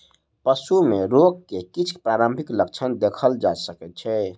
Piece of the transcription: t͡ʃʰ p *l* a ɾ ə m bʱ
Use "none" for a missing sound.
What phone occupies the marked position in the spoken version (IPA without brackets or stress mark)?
ɾ